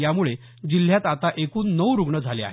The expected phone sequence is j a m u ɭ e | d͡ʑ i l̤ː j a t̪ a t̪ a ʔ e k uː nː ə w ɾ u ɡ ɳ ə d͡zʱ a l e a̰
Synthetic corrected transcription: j a m u ɭ e | d͡ʑ i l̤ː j a t̪ a t̪ a ʔ e k uː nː ə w ɾ u ɡ ɳ ə d͡zʱ a l e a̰